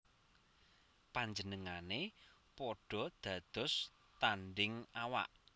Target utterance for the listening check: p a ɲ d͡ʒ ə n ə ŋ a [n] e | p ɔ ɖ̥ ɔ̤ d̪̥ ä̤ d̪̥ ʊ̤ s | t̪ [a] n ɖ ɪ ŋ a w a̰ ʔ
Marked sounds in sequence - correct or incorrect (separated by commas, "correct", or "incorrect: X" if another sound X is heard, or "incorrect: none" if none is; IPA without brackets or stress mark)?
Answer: correct, correct